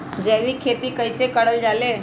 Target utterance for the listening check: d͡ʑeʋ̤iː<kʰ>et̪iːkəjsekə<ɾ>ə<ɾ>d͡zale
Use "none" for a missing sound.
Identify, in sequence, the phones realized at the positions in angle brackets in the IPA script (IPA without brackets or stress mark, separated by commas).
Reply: kʰ, ɽ, l